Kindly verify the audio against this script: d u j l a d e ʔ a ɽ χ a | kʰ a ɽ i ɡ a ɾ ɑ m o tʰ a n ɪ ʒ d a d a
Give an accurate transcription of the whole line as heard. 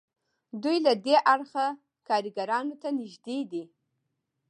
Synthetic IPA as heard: d u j l a d e ʔ a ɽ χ a | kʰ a ɾ i ɡ a ɾ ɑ n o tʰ a n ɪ ʒ d e d i